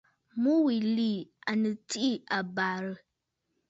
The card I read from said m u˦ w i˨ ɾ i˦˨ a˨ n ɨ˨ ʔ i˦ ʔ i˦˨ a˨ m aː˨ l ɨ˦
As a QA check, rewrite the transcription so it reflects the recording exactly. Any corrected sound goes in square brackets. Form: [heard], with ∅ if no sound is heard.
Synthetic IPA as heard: m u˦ w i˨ [l] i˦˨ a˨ n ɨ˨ [t] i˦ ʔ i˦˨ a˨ [b] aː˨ [ɾ] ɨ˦